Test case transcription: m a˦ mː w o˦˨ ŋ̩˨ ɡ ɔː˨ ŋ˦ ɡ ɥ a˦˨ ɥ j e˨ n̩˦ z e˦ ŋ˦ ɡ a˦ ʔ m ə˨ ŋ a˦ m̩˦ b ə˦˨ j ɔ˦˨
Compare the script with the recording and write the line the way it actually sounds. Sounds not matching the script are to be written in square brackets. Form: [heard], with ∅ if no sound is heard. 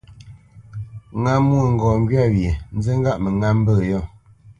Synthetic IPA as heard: [ŋ] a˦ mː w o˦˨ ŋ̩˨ ɡ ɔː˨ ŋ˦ ɡ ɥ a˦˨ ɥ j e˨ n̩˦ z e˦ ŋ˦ ɡ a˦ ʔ m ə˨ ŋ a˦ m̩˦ b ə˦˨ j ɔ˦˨